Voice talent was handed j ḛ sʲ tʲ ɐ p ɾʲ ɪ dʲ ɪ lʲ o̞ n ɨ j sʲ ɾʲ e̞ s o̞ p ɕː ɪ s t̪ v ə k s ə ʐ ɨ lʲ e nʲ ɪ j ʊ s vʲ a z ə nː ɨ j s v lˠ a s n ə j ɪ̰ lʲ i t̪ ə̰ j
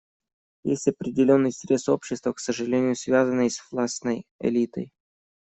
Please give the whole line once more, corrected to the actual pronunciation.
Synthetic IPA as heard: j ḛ sʲ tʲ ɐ p ɾʲ ɪ dʲ ɪ lʲ o̞ nː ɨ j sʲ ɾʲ e̞ s o̞ p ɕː ɪ s t̪ v ə k s ə ʐ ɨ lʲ e nʲ ɪ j ʊ s vʲ a z ə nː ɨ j s v lˠ a s n ə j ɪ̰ lʲ i t̪ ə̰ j